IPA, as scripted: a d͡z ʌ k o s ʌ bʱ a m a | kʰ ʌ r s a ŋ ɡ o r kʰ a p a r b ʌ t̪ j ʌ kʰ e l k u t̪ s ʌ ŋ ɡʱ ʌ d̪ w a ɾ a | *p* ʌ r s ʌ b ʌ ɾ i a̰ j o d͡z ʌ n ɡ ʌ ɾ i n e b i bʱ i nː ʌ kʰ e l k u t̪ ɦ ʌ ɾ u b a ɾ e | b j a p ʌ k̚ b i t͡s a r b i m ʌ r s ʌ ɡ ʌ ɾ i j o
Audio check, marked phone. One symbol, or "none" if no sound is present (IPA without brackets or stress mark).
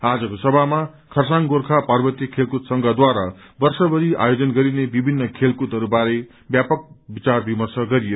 b